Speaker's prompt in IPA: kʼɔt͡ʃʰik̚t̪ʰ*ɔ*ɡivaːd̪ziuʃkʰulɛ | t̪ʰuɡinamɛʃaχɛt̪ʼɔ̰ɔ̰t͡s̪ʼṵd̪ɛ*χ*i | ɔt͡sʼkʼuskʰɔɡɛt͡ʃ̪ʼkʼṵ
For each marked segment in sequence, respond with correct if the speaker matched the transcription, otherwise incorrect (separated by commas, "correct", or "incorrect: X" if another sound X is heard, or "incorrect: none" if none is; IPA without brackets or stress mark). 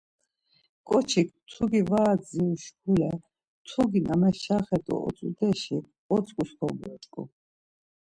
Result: incorrect: u, incorrect: ʃ